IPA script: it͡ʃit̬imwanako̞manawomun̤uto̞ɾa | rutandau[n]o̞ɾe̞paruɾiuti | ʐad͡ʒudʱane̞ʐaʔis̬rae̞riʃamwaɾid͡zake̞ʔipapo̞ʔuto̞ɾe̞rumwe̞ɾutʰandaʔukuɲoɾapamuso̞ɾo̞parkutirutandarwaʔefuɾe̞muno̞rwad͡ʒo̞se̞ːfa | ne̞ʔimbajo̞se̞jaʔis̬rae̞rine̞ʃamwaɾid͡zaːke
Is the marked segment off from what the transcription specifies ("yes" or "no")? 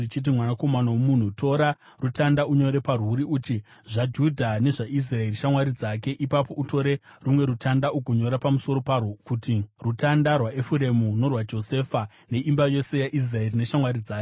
yes